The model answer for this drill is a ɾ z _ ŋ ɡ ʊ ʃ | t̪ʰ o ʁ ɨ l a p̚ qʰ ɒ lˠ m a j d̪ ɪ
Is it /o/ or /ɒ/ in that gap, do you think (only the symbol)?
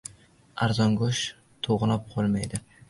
ɒ